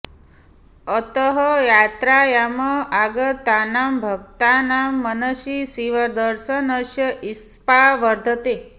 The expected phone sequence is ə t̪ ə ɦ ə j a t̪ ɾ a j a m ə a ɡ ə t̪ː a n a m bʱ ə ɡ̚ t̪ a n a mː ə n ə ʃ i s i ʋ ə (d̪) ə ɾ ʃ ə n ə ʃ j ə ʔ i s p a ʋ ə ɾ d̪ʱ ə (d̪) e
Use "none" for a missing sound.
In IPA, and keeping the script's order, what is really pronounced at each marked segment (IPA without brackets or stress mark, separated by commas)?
d̪, t̪